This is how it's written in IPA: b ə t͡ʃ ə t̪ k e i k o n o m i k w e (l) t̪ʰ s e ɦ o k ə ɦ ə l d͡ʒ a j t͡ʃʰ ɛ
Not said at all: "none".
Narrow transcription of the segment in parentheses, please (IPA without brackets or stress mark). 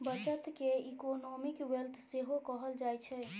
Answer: l